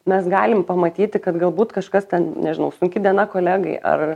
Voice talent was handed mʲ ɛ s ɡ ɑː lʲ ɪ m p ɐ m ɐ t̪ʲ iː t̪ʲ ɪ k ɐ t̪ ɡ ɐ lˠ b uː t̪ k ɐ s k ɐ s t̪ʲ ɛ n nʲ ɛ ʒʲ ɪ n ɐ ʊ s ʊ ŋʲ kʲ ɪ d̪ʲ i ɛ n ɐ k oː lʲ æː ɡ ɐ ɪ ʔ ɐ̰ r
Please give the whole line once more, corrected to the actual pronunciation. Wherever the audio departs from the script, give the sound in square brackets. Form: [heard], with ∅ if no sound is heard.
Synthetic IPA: mʲ ɛ s ɡ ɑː lʲ ɪ m p ɐ m ɐ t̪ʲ iː t̪ʲ ɪ k ɐ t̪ ɡ ɐ lˠ b uː t̪ k ɐ [ʃ] k ɐ s t̪ʲ ɛ n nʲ ɛ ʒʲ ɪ n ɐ ʊ s ʊ ŋʲ kʲ ɪ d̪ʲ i ɛ n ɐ k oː lʲ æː ɡ ɐ ɪ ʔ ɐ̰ r